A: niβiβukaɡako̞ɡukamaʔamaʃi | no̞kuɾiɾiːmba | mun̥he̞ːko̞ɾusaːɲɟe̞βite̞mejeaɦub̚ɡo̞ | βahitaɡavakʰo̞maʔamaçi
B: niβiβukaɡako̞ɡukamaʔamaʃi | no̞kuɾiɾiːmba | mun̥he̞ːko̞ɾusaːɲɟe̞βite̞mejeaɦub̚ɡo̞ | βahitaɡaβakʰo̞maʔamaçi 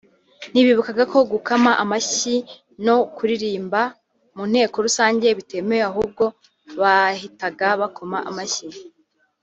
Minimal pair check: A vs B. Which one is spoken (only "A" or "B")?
B